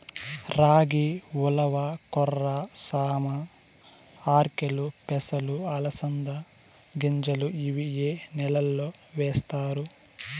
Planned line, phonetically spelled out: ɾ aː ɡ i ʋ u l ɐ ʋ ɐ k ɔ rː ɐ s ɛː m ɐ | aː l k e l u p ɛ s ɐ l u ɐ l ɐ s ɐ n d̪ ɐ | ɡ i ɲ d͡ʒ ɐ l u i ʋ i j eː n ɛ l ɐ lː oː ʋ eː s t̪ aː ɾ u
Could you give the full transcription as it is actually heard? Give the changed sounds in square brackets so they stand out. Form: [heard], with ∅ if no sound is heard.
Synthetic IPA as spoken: ɾ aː ɡ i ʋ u l ɐ ʋ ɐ k ɔ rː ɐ s [aː] m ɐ | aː [ɾ] k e l u p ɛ s ɐ l u ɐ l ɐ s ɐ n d̪ ɐ | ɡ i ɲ d͡ʒ ɐ l u i ʋ i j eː n ɛ l ɐ lː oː ʋ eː s t̪ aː ɾ u